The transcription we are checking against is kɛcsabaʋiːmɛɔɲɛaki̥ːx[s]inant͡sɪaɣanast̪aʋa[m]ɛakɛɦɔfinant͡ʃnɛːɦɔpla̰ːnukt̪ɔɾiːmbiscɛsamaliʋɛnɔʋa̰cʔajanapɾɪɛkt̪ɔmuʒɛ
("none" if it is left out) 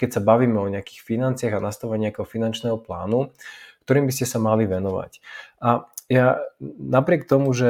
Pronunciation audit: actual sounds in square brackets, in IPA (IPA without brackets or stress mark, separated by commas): f, ɲ